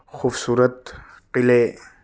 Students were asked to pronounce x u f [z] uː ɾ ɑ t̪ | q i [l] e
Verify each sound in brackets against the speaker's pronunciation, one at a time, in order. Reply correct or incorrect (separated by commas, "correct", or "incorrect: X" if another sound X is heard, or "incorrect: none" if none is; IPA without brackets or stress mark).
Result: incorrect: s, correct